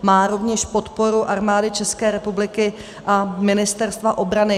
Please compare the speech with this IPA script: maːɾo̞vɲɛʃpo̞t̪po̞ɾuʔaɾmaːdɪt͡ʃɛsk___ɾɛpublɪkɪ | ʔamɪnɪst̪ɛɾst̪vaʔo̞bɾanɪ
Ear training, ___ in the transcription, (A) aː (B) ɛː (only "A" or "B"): B